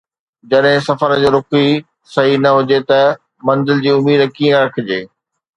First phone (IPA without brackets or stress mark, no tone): d͡ʑ